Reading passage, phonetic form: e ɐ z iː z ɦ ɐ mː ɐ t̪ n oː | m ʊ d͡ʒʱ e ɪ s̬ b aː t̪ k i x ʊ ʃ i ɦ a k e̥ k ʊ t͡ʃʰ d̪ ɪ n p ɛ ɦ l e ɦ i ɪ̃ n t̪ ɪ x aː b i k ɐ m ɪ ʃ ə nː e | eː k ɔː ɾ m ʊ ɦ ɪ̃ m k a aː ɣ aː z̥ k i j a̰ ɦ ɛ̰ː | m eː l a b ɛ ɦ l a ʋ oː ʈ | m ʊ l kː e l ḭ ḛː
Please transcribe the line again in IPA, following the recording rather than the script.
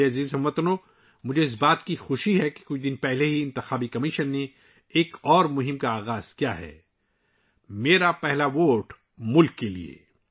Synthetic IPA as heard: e ɐ z iː z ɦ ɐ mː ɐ t̪ n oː | m ʊ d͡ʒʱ e ɪ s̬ b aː t̪ k i x ʊ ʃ i ɦ ɛ k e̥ k ʊ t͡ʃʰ d̪ ɪ n p ɛ ɦ l e ɦ i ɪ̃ n t̪ ɪ x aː b i k ɐ m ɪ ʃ ə nː e | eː k ɔː ɾ m ʊ ɦ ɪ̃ m k a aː ɣ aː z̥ k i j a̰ ɦ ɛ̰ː | m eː ɾ a p ɛ ɦ l a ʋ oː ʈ | m ʊ l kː e l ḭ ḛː